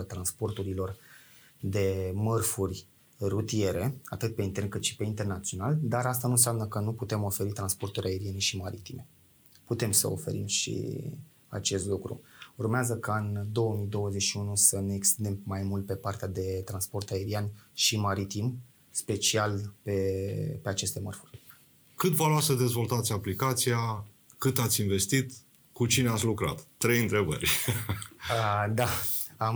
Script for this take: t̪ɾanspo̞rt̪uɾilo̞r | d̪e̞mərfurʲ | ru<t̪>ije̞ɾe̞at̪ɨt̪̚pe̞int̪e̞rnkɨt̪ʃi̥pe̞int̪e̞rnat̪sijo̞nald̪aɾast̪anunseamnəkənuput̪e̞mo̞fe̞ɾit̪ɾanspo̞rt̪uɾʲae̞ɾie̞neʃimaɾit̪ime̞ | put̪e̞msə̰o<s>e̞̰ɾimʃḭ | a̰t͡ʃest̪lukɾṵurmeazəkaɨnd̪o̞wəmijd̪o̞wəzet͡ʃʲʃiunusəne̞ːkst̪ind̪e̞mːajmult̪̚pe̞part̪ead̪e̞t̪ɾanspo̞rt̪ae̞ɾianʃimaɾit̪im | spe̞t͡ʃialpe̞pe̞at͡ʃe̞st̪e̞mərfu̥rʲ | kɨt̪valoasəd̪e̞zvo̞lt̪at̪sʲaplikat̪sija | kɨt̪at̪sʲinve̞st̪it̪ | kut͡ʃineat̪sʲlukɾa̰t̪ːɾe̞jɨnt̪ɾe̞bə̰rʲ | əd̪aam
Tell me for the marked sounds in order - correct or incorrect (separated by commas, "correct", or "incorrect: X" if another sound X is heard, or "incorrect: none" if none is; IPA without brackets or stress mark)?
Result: correct, incorrect: f